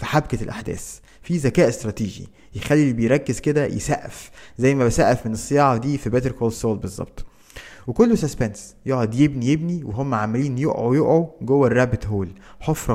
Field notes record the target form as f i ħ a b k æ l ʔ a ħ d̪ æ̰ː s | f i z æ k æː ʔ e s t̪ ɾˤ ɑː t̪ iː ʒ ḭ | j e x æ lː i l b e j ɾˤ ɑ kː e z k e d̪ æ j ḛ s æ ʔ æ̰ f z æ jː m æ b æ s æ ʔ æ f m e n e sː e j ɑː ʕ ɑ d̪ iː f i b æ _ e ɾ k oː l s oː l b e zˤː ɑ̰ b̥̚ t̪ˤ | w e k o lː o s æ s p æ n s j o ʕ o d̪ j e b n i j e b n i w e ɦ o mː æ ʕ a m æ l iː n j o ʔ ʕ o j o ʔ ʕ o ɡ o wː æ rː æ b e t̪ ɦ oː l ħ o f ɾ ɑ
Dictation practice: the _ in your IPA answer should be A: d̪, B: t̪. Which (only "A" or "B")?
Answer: B